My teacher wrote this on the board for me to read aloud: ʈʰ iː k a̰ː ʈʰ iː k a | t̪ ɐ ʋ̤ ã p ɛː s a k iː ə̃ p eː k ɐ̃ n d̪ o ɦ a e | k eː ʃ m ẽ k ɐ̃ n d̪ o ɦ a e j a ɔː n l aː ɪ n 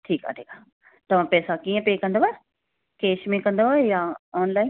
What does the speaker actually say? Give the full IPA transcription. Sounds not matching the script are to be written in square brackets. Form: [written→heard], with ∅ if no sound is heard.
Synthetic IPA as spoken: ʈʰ iː k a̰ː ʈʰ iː k a | t̪ ɐ ʋ̤ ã p ɛː s a k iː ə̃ p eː k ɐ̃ n d̪ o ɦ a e | k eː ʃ m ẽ k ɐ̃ n d̪ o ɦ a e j a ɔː n l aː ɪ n